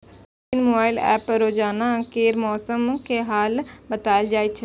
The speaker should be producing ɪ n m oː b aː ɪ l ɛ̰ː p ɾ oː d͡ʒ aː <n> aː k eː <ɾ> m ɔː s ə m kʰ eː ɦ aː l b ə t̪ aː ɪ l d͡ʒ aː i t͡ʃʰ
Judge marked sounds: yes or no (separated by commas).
yes, yes